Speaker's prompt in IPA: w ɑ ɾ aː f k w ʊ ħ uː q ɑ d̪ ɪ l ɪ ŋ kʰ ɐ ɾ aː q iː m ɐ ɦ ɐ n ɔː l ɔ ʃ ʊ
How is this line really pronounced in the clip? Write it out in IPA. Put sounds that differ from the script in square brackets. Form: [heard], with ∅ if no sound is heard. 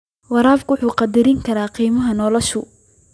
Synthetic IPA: w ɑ ɾ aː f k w ʊ ħ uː q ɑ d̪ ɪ [ɾ] ɪ ŋ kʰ ɐ ɾ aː q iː m ɐ ɦ ɐ n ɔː l ɔ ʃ ʊ